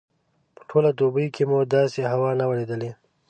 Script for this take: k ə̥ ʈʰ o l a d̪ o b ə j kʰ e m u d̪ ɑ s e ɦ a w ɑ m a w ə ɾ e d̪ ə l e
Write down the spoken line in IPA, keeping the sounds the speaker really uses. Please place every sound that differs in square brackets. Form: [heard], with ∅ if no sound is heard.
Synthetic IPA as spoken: [p] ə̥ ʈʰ o l a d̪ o b ə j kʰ e m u d̪ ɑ s e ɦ a w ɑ [n] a w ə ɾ e d̪ ə l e